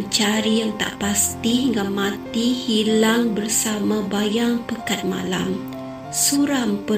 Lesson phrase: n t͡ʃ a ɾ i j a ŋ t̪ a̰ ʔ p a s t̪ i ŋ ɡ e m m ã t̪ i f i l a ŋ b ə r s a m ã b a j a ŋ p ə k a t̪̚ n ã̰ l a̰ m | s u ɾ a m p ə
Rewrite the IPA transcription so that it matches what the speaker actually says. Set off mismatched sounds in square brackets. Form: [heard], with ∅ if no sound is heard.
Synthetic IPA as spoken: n t͡ʃ a ɾ i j a ŋ t̪ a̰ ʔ p a s t̪ i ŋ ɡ [a] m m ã t̪ i [h] i l a ŋ b ə r s a m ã b a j a ŋ p ə k a t̪̚ [m] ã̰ l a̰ m | s u ɾ a m p ə